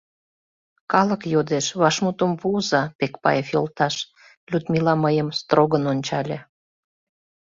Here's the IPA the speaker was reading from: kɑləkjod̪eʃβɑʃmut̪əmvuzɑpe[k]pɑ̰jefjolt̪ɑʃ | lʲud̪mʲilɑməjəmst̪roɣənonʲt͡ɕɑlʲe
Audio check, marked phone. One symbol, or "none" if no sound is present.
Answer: k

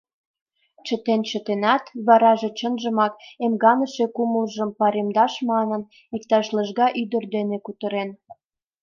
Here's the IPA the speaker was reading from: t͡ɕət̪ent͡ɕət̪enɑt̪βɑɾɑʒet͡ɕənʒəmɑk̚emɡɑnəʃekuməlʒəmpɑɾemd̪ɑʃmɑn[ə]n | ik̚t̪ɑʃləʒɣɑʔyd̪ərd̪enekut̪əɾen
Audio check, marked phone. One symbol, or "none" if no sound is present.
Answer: ə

